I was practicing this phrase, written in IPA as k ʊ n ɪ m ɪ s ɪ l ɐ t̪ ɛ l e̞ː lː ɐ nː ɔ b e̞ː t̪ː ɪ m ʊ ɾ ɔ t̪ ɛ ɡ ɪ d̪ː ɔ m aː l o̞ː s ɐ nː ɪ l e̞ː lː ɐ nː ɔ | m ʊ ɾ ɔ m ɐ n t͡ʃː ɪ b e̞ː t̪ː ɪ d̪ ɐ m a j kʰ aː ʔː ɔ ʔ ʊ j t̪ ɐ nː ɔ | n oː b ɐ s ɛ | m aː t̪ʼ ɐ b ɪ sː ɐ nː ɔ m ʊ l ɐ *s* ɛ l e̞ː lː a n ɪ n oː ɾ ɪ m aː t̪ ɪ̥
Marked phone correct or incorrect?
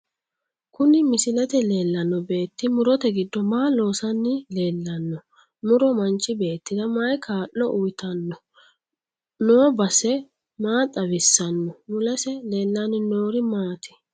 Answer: correct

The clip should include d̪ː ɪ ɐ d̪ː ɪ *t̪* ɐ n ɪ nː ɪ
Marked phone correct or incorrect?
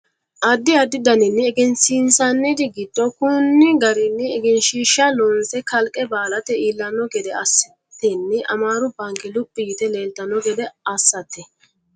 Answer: incorrect: d̪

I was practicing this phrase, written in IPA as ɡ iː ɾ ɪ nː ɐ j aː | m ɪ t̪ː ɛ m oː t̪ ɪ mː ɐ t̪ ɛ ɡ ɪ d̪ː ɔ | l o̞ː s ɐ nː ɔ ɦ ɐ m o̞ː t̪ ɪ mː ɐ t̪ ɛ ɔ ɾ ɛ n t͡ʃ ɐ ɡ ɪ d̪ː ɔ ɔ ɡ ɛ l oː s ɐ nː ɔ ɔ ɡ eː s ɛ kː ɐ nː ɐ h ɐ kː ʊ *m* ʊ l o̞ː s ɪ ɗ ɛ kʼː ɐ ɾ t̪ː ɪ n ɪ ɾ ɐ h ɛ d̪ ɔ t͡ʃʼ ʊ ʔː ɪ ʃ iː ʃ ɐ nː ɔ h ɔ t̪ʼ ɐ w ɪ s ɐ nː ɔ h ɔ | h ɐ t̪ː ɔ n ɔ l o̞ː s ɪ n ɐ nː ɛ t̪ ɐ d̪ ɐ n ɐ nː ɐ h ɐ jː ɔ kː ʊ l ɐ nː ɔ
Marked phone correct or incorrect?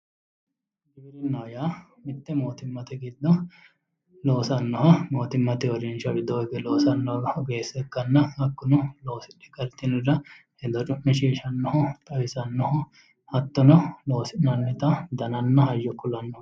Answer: incorrect: n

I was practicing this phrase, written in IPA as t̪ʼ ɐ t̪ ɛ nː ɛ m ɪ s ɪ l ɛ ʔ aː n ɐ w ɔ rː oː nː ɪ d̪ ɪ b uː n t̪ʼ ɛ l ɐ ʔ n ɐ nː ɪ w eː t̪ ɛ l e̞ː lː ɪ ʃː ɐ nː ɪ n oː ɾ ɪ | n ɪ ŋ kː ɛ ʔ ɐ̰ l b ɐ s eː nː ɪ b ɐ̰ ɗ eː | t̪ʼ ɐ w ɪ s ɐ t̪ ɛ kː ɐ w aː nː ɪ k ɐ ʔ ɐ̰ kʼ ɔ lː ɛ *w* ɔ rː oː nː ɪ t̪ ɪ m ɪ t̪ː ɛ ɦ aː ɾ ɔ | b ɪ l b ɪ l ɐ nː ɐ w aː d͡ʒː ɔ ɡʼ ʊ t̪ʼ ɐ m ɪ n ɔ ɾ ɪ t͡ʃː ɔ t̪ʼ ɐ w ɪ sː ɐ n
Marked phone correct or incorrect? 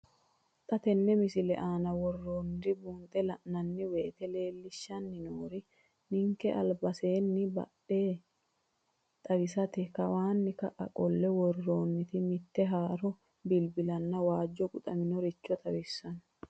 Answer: correct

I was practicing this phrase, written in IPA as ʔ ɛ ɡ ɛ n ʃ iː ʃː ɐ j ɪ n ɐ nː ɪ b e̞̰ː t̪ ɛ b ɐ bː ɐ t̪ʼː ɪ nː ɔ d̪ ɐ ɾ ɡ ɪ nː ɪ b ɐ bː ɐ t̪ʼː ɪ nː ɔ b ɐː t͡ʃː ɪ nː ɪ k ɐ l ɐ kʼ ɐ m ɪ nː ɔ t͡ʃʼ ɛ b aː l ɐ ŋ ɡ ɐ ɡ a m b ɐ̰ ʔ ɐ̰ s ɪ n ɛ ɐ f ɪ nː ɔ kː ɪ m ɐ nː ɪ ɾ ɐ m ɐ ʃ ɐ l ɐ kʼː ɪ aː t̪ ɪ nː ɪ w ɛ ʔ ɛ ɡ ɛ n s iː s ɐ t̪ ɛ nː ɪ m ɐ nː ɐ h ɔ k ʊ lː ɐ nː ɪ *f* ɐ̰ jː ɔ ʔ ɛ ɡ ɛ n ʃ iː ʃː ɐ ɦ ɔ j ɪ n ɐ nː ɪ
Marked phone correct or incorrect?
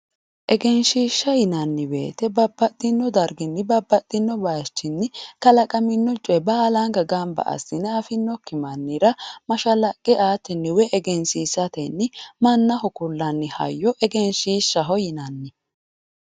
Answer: incorrect: h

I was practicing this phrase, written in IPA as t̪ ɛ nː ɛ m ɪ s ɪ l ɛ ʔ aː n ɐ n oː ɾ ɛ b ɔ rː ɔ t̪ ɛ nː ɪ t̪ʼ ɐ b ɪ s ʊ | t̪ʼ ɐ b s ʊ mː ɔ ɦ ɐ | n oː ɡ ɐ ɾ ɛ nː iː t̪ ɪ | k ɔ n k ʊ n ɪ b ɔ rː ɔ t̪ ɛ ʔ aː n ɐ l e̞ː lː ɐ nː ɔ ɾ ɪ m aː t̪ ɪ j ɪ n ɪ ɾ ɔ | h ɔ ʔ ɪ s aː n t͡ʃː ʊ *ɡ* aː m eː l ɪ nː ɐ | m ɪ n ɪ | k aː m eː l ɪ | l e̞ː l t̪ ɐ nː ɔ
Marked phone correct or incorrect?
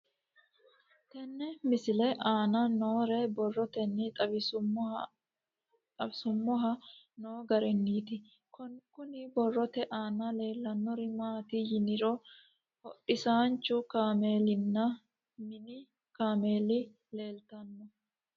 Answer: incorrect: k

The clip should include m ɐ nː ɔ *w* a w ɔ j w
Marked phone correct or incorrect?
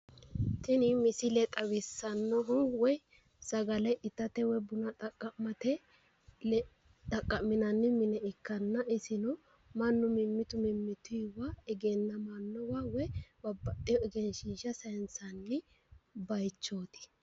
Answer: correct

